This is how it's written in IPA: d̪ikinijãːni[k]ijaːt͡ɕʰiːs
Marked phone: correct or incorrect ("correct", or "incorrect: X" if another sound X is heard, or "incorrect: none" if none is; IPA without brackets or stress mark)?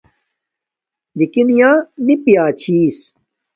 incorrect: p